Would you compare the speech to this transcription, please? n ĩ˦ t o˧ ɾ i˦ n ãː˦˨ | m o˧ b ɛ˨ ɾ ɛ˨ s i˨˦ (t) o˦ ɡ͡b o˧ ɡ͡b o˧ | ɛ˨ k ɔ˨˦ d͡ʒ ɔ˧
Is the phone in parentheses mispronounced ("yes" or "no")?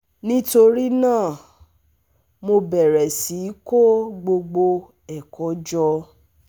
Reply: yes